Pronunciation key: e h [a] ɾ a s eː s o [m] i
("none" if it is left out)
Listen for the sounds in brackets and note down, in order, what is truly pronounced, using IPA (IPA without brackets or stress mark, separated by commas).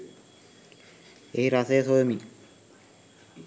i, m